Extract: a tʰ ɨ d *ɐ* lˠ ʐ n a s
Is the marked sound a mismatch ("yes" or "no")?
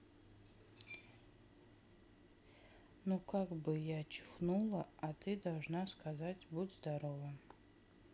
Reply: yes